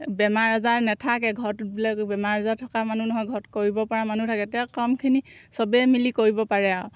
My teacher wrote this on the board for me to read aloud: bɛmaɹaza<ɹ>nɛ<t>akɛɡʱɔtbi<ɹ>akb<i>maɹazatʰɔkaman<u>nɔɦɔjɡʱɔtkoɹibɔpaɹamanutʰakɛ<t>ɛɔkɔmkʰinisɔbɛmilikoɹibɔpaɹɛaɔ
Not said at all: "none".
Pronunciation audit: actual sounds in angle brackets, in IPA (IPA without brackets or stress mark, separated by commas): ɹ, tʰ, l, ɛ, u, t